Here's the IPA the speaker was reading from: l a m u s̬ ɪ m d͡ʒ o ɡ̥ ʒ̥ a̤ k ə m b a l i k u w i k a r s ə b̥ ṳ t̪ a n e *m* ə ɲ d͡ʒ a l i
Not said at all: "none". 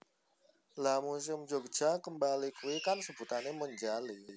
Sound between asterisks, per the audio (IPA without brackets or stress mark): m